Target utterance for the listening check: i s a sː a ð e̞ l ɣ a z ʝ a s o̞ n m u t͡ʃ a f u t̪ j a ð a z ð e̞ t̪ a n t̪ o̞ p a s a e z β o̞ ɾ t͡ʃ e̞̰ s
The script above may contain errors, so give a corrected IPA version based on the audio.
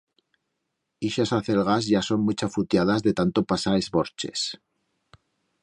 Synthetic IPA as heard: i ʃ a s a θ e̞ l ɣ a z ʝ a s o̞ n m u t͡ʃ a f u t̪ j a ð a z ð e̞ t̪ a n t̪ o̞ p a s a e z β o̞ ɾ t͡ʃ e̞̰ s